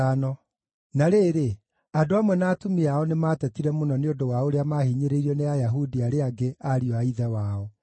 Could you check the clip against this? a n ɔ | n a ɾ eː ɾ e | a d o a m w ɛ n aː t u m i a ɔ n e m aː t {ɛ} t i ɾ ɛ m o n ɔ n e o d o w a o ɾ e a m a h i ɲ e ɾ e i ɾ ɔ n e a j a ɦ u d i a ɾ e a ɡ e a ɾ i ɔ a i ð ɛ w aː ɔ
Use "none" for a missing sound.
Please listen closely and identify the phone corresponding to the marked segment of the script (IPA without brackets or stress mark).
ɛ